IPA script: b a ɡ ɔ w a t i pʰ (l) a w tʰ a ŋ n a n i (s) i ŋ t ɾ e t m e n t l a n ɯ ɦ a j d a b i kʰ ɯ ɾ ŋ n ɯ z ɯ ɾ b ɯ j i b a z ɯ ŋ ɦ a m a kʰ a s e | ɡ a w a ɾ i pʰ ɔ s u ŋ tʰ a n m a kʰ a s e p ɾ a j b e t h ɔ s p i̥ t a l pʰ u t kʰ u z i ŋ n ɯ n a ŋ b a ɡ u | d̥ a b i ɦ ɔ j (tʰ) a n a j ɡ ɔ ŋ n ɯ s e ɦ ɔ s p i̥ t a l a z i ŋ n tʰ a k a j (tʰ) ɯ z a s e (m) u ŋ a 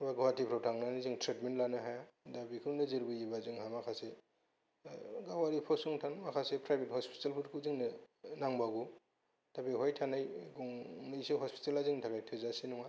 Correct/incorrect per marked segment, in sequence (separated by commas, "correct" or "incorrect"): incorrect, incorrect, correct, correct, incorrect